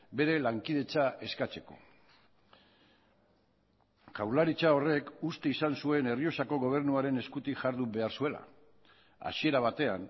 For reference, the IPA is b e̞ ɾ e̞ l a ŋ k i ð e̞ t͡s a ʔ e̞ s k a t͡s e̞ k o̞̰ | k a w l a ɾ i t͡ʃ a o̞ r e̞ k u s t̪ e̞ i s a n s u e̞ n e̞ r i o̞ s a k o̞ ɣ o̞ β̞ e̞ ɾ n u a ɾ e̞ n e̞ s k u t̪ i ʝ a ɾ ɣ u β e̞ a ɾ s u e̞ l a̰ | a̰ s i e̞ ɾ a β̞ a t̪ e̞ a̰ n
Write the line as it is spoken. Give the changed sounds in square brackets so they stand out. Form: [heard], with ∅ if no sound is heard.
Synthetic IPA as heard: b e̞ ɾ e̞ l a ŋ k i ð e̞ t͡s a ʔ e̞ s k a t͡s e̞ k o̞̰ | k a w l a ɾ i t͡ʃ a o̞ r e̞ k u s t̪ e̞ i s a n s u e̞ n e̞ r i o̞ s a k o̞ ɣ o̞ β̞ e̞ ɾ n u a ɾ e̞ n e̞ s k u t̪ i ʝ a ɾ [ð] u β e̞ a ɾ s u e̞ l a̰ | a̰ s i e̞ ɾ a β̞ a t̪ e̞ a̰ n